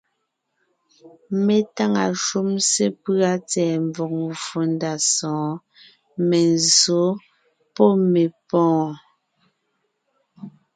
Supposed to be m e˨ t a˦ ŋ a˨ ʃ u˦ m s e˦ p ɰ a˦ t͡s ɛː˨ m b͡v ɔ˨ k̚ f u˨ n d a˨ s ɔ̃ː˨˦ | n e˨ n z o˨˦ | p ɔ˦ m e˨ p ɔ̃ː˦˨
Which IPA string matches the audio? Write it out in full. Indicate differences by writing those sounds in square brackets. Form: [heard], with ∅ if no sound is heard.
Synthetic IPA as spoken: m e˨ t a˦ ŋ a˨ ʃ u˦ m s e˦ p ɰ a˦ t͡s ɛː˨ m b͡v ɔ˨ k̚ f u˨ n d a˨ s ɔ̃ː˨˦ | [m] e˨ n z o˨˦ | p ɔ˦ m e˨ p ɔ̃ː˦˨